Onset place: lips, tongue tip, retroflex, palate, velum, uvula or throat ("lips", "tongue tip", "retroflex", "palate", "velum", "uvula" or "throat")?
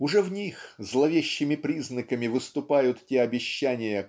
retroflex